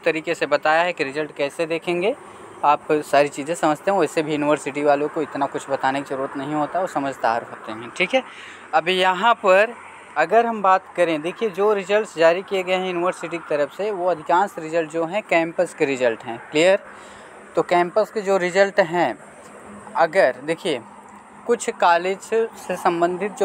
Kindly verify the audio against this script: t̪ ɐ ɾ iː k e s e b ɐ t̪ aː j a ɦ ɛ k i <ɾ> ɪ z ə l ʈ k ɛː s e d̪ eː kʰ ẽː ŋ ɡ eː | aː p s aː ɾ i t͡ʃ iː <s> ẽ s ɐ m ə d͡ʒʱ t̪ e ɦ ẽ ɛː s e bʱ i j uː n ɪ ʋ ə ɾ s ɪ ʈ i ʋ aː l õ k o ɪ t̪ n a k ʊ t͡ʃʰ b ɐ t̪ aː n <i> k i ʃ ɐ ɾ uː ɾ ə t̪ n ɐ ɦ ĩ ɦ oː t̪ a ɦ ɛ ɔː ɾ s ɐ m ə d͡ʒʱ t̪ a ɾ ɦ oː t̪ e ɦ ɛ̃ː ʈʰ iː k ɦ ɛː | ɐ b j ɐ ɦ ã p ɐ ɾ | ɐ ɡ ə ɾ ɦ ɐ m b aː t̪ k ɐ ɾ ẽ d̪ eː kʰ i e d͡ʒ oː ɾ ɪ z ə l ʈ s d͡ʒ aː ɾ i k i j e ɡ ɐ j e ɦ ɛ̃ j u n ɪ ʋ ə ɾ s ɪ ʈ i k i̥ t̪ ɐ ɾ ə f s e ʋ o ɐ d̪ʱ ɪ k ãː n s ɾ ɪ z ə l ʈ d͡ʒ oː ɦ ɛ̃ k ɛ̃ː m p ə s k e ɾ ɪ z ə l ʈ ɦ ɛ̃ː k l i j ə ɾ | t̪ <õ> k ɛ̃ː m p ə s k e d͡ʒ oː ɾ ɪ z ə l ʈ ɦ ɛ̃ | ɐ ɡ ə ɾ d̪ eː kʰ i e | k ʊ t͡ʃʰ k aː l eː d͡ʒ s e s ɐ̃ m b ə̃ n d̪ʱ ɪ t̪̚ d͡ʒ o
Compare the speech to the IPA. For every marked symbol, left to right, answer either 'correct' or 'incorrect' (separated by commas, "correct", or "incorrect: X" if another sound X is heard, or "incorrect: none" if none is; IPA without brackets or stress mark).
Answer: correct, incorrect: z, incorrect: e, incorrect: o